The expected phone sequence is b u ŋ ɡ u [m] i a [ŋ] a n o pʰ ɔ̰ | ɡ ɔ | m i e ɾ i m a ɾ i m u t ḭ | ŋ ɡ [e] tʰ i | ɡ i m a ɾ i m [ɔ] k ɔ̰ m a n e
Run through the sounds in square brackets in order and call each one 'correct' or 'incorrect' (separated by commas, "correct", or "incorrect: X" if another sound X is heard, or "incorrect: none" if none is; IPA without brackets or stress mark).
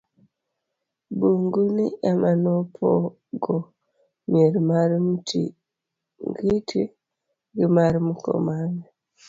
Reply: incorrect: n, incorrect: m, incorrect: i, incorrect: u